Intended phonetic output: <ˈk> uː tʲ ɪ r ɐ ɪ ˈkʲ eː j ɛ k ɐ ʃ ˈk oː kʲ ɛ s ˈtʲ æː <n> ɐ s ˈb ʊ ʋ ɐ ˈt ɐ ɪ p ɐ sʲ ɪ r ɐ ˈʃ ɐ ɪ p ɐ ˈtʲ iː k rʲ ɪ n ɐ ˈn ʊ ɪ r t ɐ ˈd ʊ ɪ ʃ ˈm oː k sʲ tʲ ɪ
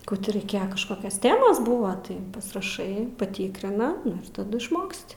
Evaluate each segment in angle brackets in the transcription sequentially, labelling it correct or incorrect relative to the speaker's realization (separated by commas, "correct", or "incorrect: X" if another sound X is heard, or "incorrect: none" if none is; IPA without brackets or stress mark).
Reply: correct, incorrect: m